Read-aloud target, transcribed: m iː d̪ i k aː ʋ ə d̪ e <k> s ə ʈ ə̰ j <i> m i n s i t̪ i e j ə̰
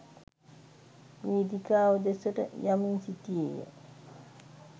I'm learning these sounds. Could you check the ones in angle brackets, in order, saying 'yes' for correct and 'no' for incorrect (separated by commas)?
no, no